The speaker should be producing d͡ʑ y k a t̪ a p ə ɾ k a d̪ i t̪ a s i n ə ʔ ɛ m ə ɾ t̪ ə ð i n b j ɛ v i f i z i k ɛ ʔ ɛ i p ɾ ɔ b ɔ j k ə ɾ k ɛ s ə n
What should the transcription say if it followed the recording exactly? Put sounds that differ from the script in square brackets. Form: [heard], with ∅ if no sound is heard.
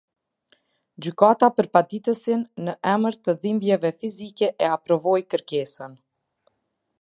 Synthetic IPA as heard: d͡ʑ y k a t̪ a p ə ɾ [p] a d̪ i t̪ [ə] s i [nː] ə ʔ ɛ m ə ɾ t̪ ə ð i [m] b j ɛ v [ɛ] f i z i k ɛ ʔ ɛ [a] p ɾ ɔ [v] ɔ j k ə ɾ k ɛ s ə n